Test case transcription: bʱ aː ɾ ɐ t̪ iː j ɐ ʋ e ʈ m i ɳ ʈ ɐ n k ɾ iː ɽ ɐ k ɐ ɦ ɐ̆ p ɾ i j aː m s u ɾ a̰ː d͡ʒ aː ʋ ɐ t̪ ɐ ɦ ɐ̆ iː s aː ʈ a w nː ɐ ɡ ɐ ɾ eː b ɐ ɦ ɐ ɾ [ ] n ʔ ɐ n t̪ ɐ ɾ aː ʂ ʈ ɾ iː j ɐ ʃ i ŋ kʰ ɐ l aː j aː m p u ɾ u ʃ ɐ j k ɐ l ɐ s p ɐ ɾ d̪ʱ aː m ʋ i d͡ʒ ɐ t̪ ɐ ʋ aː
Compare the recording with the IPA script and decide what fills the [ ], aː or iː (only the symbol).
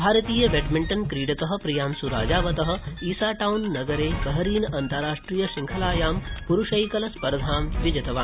iː